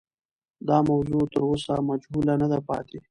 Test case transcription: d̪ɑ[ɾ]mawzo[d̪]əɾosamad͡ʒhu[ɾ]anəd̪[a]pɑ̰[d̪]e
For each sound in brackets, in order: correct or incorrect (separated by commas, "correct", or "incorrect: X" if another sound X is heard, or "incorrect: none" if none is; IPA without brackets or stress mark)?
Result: incorrect: none, incorrect: t̪, incorrect: l, correct, incorrect: t̪